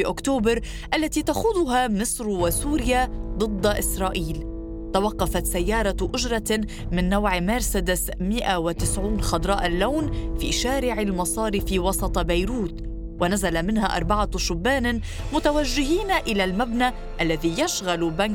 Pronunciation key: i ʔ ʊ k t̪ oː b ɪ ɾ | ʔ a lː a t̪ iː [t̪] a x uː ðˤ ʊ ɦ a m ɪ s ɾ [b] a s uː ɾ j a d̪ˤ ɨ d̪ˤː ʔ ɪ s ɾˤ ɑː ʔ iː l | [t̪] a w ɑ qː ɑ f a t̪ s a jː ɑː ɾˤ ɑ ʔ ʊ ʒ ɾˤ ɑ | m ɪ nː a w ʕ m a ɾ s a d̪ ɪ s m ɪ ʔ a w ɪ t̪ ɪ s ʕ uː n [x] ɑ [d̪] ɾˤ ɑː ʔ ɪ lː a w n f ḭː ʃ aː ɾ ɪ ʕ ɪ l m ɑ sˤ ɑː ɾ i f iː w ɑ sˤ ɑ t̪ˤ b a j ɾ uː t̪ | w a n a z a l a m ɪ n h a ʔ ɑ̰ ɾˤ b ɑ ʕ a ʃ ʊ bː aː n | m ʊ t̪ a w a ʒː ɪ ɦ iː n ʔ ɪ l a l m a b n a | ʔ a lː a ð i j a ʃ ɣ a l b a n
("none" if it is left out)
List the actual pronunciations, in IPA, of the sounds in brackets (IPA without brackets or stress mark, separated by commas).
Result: t̪, w, t̪, x, d̪